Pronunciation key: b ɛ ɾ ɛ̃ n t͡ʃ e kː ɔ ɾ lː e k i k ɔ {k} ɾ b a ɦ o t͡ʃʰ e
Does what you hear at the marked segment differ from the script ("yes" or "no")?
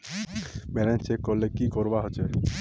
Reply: yes